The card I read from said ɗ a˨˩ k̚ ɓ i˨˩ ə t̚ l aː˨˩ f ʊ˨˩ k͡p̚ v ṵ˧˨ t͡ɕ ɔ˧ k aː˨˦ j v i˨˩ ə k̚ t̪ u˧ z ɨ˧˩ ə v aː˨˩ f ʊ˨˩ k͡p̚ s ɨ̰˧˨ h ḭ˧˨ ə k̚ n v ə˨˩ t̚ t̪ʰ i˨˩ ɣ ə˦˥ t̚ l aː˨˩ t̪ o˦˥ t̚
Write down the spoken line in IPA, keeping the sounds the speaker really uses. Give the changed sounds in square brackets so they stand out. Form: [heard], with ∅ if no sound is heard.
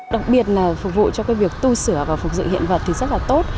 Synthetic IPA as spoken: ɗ a˨˩ k̚ ɓ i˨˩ ə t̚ l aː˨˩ f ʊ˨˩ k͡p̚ v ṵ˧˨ t͡ɕ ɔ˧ k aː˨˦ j v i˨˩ ə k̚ t̪ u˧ [s] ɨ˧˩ ə v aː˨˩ f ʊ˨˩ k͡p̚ [z] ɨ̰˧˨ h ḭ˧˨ ə [∅] n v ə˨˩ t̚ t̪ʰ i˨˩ [z] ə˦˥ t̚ l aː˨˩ t̪ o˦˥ t̚